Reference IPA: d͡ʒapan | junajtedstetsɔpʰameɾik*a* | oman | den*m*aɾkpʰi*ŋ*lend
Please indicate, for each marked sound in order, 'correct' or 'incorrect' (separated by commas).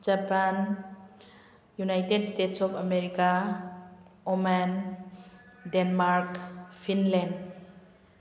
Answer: correct, correct, incorrect